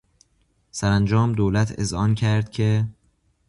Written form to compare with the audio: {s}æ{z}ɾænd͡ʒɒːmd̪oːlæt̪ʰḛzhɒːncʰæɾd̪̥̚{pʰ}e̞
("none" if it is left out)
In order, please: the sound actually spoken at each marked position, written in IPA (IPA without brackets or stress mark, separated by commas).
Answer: s, none, cʰ